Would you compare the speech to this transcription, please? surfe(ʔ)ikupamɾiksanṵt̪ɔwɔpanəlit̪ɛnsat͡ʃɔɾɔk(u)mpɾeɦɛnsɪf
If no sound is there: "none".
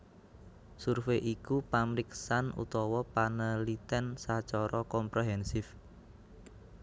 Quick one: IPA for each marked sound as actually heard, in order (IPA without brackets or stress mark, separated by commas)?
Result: ʔ, ɔ